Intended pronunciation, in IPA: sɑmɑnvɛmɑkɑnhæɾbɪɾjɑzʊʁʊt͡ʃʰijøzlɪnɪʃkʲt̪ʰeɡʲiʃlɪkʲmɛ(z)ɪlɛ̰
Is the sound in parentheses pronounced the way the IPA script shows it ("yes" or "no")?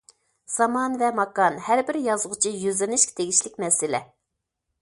no